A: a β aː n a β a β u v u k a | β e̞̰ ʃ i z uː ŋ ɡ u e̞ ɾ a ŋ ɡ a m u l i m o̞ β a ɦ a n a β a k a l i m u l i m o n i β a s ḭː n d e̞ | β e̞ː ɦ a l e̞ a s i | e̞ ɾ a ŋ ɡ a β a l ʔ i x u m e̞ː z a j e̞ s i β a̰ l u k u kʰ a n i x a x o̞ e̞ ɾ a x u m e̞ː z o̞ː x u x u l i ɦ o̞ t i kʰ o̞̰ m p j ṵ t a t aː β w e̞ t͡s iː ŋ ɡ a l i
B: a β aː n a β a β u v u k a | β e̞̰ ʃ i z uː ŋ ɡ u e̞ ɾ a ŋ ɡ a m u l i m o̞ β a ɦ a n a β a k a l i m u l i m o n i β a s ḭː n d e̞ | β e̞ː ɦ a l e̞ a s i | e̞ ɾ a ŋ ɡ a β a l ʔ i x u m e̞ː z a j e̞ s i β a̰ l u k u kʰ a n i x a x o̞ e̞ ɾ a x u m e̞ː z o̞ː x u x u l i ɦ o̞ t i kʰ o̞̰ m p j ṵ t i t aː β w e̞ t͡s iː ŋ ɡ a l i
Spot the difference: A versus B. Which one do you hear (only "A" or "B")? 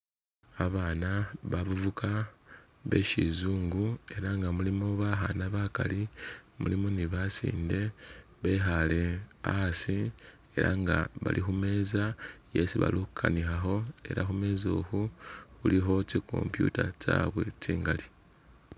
A